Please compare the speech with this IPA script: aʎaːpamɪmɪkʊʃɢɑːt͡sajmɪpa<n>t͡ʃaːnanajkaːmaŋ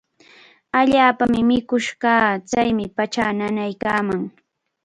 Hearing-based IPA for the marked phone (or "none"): none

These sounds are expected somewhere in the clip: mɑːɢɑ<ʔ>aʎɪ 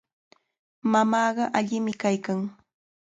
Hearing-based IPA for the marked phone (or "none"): ʔ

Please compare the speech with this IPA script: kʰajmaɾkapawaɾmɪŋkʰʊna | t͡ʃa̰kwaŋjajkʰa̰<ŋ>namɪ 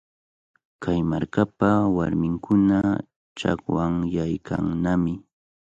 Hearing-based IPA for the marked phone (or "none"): ŋ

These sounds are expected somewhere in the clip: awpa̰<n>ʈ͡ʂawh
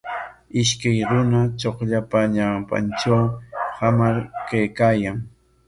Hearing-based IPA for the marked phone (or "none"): n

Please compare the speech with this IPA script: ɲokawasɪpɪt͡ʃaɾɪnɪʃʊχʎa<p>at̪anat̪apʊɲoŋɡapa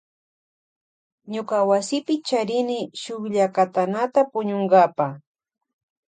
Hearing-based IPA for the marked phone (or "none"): k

